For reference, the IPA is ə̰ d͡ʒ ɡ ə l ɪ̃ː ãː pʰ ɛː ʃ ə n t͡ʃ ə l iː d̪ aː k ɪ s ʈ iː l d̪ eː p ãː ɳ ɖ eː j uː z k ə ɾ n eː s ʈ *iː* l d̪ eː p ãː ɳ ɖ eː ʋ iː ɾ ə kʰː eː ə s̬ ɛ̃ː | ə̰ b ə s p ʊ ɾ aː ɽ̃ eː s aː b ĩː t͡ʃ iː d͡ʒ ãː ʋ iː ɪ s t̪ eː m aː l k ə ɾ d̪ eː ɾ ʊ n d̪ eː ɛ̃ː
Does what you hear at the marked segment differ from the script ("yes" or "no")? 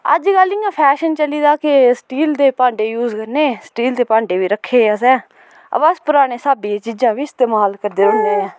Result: no